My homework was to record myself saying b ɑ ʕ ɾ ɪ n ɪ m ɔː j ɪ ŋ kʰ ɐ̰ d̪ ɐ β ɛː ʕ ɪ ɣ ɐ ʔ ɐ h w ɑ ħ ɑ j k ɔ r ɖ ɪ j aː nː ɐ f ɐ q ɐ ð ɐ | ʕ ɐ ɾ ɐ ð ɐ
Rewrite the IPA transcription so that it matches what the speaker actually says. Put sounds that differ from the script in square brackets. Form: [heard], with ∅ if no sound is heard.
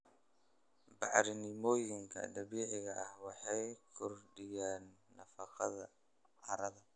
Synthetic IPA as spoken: b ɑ ʕ ɾ ɪ n ɪ m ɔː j ɪ ŋ kʰ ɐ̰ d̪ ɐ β [iː] ʕ ɪ ɣ ɐ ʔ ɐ h w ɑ ħ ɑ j [kʰ] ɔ r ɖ ɪ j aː nː ɐ f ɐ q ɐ ð ɐ | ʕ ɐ ɾ ɐ ð ɐ